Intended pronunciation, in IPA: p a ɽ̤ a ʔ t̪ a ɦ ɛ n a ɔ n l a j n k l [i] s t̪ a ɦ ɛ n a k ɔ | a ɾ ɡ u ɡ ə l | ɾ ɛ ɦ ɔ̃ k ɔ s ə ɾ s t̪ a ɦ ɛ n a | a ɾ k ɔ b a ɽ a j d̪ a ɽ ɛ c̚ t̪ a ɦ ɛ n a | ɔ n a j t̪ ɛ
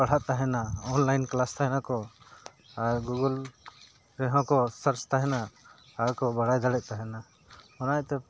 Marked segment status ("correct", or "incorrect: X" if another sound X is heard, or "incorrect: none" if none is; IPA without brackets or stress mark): incorrect: a